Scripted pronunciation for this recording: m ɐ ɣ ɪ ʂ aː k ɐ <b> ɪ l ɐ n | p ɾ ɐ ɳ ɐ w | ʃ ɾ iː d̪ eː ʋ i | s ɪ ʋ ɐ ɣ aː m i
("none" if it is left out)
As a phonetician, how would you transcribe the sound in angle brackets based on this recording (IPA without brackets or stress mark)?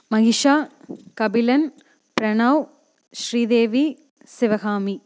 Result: b